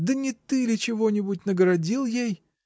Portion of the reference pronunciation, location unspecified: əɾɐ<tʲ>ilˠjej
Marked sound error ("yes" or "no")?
yes